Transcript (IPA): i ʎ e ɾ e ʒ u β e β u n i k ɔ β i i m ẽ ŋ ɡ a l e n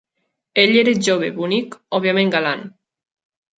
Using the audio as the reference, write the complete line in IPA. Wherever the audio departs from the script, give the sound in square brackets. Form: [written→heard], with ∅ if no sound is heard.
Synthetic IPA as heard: [i→e] ʎ e ɾ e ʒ [u→o] β e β u n i k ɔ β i [i→a] m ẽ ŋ ɡ a l [e→a] n